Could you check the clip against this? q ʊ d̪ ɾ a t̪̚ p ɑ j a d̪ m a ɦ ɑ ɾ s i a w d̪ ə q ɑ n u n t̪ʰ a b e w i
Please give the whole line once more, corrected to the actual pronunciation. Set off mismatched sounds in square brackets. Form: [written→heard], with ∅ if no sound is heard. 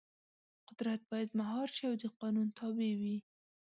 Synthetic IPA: q ʊ d̪ ɾ a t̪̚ [p→b] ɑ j a d̪ m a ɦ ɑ ɾ [s→ʃ] i a w d̪ ə q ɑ n u n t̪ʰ [a→ɑ] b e w i